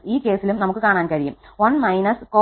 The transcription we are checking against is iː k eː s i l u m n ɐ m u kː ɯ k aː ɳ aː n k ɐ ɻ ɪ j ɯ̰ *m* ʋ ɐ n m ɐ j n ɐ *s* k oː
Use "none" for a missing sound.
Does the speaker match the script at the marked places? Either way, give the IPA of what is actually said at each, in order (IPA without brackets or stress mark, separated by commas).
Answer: m, s